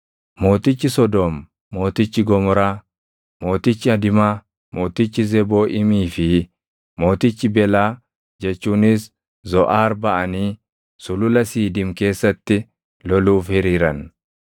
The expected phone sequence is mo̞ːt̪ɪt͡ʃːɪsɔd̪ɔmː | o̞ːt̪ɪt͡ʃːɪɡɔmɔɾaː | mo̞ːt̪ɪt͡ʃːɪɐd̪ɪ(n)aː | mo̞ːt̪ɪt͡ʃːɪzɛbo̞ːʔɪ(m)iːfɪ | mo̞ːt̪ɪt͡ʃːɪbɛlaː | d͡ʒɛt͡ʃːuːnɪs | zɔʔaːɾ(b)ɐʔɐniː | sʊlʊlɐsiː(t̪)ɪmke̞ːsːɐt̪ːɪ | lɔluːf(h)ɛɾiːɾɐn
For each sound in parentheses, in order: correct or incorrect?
incorrect, correct, correct, incorrect, correct

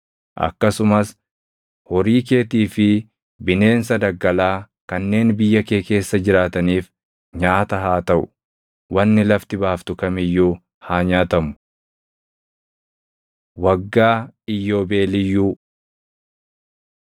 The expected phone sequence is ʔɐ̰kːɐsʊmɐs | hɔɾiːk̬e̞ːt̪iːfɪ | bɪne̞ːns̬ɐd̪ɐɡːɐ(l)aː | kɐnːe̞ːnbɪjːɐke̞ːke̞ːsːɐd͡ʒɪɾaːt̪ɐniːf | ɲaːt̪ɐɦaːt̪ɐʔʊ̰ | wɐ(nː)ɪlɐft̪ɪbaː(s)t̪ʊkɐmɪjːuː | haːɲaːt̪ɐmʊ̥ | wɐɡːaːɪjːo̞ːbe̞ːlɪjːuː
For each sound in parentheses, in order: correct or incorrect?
correct, correct, incorrect

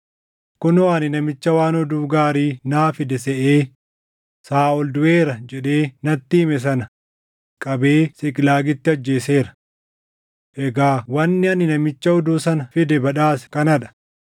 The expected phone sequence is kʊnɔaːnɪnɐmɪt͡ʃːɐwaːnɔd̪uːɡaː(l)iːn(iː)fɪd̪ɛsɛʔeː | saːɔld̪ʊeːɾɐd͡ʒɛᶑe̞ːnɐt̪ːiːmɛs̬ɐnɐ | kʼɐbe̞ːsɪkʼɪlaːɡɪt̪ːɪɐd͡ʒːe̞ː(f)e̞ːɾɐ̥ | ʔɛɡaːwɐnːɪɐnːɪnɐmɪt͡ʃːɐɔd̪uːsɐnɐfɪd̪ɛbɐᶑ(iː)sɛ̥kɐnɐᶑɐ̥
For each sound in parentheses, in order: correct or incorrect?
incorrect, incorrect, incorrect, incorrect

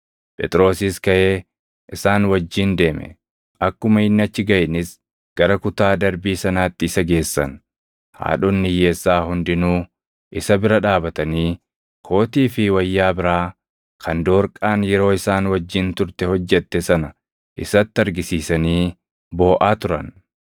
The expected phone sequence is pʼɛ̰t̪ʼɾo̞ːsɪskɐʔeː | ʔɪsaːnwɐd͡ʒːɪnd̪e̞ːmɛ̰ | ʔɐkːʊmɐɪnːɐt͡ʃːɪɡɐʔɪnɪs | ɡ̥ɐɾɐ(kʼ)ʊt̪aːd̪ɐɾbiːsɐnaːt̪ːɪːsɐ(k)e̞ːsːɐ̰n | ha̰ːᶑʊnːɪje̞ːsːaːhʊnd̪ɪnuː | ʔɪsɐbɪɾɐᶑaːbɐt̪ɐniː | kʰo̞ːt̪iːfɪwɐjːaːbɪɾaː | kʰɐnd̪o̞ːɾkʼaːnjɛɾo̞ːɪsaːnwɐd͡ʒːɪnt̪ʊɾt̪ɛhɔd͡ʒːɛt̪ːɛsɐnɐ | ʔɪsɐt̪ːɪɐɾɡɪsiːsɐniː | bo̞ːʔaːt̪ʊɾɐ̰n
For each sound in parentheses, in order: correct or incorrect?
incorrect, incorrect

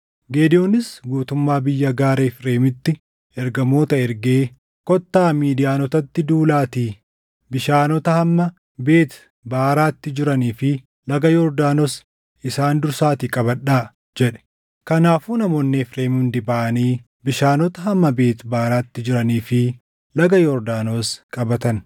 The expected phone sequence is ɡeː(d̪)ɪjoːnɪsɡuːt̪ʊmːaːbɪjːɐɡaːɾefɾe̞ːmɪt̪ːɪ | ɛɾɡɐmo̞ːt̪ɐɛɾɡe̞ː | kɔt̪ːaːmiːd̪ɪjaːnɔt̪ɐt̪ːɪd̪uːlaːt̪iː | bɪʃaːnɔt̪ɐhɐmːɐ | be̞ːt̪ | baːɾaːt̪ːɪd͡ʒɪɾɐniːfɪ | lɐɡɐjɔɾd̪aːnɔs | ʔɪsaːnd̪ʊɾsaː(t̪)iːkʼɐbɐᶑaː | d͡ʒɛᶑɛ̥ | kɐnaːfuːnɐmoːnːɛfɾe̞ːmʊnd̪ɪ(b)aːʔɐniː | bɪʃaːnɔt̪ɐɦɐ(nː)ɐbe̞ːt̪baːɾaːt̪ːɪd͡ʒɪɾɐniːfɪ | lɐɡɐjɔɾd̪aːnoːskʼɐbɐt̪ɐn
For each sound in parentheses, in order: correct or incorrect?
correct, correct, correct, incorrect

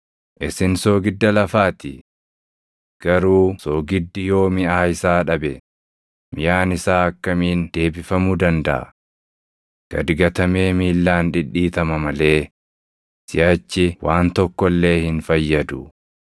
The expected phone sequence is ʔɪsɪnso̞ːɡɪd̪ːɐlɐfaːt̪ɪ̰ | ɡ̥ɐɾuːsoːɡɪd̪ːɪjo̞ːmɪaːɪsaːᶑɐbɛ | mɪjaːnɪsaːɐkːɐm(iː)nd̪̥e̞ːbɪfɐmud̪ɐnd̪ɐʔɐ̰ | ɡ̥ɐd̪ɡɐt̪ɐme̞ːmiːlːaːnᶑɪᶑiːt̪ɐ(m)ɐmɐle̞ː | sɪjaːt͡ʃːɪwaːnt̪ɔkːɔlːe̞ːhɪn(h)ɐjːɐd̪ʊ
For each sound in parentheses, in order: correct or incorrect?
correct, correct, incorrect

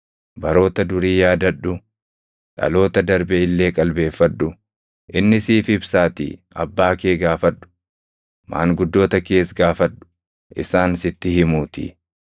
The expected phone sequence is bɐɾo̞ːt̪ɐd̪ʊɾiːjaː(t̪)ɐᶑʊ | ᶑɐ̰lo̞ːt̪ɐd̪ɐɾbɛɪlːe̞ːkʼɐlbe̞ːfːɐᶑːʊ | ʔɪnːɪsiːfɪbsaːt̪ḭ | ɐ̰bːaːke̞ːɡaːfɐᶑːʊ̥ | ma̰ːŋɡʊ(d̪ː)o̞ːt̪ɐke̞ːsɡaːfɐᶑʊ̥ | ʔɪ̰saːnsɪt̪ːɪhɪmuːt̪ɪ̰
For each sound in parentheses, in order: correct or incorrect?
incorrect, correct

